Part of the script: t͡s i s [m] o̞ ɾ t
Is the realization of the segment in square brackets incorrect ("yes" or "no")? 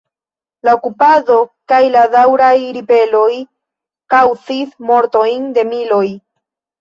no